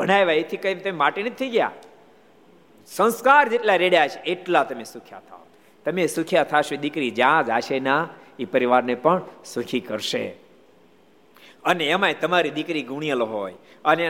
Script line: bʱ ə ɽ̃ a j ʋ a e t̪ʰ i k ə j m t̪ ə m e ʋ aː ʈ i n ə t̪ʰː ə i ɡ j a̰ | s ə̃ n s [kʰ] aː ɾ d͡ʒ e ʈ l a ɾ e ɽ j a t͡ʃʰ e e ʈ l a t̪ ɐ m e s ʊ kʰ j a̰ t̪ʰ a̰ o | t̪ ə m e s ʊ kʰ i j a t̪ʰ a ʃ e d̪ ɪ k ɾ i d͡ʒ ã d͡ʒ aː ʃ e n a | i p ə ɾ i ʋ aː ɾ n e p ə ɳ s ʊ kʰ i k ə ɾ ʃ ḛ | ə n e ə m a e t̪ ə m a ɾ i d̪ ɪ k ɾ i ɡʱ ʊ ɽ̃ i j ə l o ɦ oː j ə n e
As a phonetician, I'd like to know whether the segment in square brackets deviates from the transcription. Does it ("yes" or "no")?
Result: yes